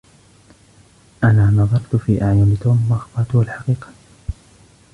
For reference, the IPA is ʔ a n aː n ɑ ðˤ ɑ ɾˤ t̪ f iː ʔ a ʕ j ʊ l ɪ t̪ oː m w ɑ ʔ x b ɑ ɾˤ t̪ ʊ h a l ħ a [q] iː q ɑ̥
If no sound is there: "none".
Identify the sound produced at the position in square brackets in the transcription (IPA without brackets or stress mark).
q